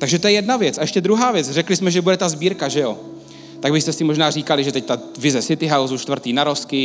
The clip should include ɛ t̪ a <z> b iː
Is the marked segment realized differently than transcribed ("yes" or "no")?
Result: no